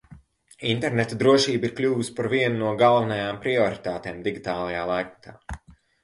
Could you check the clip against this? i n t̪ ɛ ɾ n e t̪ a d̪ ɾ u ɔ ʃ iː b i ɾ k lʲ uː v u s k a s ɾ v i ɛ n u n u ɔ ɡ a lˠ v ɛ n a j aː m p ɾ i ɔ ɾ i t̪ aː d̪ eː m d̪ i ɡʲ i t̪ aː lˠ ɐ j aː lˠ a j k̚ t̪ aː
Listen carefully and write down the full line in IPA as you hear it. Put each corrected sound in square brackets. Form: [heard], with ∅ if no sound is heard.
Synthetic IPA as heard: i n t̪ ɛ ɾ n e t̪ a d̪ ɾ u ɔ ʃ iː b i ɾ k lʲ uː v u s [p] a [∅] ɾ v i ɛ n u n u ɔ ɡ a lˠ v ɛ n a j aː m p ɾ i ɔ ɾ i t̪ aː [t̪] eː m d̪ i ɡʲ i t̪ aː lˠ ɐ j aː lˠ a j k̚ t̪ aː